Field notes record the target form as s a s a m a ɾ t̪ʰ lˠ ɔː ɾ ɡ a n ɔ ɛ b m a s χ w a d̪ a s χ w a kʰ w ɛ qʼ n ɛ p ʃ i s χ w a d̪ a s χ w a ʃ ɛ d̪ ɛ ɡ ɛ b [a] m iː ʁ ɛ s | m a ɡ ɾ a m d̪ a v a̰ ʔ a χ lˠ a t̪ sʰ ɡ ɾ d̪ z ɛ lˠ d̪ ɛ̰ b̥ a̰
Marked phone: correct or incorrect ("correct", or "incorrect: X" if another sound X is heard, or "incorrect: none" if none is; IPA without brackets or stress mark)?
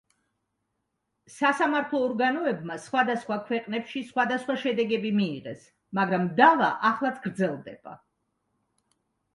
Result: incorrect: i